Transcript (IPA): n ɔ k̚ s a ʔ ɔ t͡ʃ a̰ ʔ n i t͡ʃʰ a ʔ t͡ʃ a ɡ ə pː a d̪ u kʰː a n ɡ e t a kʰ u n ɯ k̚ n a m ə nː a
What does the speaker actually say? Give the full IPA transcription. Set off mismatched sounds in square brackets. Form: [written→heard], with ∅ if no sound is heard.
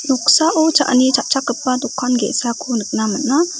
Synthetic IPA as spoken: n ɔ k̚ s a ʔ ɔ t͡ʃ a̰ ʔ n i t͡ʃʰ a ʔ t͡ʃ a [ɡ→k] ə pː a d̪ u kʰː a n ɡ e [t→s] a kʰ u n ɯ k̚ n a m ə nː a

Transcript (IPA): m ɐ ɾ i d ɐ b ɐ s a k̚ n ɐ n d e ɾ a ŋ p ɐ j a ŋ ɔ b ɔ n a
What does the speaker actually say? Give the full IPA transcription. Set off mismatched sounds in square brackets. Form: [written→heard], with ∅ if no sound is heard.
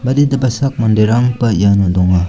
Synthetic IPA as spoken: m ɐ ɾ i d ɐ b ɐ s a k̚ [n→m] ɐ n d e ɾ a ŋ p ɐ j a [ŋ→n] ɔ [b→d] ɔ [n→ŋ] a

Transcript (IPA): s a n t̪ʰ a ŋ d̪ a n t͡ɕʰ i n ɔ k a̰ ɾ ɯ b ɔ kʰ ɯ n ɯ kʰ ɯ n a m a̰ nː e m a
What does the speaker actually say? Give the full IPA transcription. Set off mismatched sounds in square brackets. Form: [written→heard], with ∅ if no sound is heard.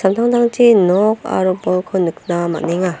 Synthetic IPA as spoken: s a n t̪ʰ a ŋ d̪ a [n→ŋ] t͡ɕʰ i n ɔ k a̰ ɾ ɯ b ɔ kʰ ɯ n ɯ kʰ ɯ n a m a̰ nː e [m→ŋ] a

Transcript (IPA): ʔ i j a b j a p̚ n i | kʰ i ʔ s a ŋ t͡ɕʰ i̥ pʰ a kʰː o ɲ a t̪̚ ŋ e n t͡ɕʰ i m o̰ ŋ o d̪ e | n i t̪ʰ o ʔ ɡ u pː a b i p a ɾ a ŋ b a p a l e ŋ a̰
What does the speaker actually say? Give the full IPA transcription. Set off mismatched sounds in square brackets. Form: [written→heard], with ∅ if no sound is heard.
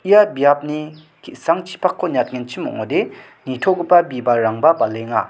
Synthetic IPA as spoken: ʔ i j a b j a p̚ n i | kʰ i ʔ s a ŋ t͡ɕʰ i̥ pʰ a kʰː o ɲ a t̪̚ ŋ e n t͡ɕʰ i m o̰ ŋ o d̪ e | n i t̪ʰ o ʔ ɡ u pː a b i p a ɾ a ŋ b a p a l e ŋ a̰

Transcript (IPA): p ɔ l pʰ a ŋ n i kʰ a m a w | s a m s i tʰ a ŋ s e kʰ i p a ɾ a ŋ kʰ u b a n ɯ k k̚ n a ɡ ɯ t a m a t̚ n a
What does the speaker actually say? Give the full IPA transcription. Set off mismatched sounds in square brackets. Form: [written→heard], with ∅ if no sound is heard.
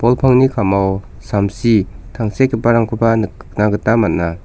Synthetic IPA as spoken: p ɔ l pʰ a ŋ n i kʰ a m a w | s a m s i tʰ a ŋ s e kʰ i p a ɾ a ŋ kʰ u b a n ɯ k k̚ n a ɡ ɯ t a m a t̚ n a

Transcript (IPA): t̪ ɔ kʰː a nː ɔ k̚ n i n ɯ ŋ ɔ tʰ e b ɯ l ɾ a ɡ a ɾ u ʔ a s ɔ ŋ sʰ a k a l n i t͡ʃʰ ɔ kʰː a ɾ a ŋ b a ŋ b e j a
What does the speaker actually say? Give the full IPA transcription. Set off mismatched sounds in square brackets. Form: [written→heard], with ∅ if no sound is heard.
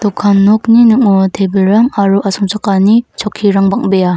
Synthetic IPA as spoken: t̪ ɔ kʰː a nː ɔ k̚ n i n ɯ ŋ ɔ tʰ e b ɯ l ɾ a [ɡ→ŋ] a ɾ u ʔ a s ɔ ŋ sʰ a k a [l→∅] n i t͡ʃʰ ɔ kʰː [a→i] ɾ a ŋ b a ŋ b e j a

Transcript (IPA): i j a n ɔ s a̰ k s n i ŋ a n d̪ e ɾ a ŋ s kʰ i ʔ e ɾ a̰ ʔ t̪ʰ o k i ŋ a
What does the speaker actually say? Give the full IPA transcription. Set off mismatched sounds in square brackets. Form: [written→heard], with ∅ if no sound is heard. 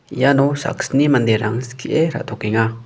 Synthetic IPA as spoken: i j a n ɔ s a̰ k s n i [ŋ→m] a n d̪ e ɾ a ŋ s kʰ i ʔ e ɾ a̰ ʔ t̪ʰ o k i ŋ a

